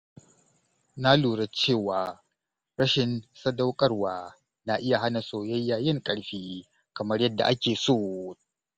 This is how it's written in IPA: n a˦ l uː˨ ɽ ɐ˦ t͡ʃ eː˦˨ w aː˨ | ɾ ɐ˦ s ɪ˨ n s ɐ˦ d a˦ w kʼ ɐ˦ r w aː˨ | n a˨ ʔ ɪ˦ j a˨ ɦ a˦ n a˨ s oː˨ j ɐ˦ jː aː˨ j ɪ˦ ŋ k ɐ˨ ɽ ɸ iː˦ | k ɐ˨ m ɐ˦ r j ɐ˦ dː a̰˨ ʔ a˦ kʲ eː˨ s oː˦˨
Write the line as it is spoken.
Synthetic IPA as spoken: n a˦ l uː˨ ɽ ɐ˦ t͡ʃ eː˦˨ w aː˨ | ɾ ɐ˦ ʃ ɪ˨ n s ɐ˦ d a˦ w kʼ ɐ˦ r w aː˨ | n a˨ ʔ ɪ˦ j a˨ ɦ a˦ n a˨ s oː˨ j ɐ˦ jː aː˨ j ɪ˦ ŋ kʼ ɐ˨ ɽ ɸ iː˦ | k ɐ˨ m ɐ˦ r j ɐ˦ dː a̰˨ ʔ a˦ kʲ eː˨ s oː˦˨